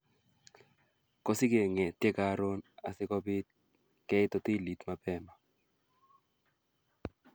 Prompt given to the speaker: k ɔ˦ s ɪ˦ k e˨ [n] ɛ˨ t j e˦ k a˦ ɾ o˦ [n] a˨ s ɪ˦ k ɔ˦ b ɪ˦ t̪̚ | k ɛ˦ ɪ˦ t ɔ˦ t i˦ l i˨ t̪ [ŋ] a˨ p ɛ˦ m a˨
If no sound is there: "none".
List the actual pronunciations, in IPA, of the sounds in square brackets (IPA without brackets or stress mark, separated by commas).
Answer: ŋ, n, m